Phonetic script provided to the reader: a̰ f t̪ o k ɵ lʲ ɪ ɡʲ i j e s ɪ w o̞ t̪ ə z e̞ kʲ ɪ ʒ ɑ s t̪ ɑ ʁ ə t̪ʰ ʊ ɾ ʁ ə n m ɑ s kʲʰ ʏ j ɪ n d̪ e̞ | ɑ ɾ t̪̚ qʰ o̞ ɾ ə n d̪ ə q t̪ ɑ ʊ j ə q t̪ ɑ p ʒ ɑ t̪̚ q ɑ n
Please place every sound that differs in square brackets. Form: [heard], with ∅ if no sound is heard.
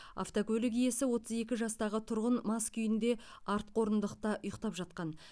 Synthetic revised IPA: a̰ f t̪ o k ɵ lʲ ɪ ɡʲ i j e s ɪ w o̞ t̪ ə z e̞ kʲ ɪ ʒ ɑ s t̪ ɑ ʁ ə t̪ʰ ʊ ɾ ʁ ə n m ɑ s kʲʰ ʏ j ɪ n d̪ e̞ | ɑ ɾ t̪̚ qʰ o̞ ɾ ə n d̪ ə q t̪ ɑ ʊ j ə q t̪ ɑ p ʒ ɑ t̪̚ q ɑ n